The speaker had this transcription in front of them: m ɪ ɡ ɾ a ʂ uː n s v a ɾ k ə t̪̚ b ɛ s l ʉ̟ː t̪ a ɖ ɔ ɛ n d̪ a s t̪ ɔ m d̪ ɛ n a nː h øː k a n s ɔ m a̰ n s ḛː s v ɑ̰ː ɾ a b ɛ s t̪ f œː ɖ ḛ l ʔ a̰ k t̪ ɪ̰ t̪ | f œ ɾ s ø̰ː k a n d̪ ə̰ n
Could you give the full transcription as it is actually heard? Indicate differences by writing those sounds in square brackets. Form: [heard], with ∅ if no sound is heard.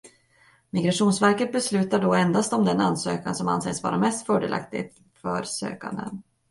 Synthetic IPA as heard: m ɪ ɡ ɾ a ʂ uː n s v [æ] ɾ k ə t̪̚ b ɛ s l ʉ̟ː t̪ a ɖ ɔ ɛ n d̪ a s t̪ ɔ m d̪ ɛ n a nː [s] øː k a n s ɔ m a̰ n s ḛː s v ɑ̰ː ɾ a [m] ɛ s t̪ f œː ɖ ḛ l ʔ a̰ k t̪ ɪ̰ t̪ | f œ ɾ s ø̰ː k a n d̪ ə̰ n